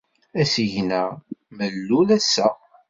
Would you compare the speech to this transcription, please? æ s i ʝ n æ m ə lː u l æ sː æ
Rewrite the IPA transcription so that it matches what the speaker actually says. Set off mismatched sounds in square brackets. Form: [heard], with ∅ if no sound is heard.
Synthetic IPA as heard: æ s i ʝ n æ m ə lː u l æ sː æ